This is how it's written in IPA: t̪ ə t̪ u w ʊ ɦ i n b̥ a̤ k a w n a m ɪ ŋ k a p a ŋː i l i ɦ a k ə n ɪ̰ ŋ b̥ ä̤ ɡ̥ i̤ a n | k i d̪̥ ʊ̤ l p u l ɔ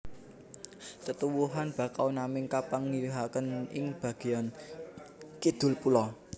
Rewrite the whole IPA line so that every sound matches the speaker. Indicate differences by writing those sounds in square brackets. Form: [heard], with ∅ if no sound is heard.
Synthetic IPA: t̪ ə t̪ u w [u] ɦ [a] n b̥ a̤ k a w n a m ɪ ŋ k a p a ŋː i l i ɦ a k ə n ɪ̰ ŋ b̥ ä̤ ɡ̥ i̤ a n | k i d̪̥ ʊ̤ l p u l ɔ